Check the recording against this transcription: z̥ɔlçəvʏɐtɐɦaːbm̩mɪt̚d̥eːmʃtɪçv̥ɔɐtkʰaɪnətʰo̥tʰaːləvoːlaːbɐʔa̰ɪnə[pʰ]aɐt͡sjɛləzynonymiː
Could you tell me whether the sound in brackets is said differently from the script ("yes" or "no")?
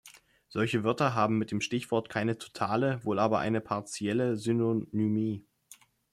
no